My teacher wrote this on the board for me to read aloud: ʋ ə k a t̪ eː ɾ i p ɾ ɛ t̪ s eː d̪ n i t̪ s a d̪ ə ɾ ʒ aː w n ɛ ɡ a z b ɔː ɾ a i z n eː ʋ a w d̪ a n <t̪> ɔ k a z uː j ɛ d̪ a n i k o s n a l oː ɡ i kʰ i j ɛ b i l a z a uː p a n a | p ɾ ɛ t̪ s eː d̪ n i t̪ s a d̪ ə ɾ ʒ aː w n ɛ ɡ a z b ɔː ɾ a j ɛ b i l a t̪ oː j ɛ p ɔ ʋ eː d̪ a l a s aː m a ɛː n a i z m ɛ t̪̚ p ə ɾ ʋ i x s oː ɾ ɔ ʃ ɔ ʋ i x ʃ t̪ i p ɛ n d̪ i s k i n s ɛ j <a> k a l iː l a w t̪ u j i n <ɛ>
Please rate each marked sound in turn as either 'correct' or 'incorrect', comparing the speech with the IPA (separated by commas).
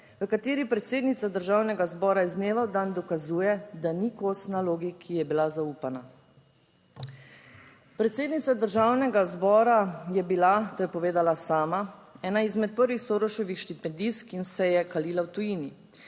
incorrect, incorrect, incorrect